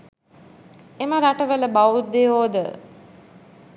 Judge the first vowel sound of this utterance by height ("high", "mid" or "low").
mid